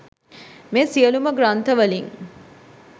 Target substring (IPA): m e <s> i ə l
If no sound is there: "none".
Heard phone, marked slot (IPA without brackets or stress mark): s